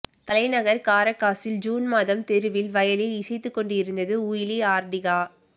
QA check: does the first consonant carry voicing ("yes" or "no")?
no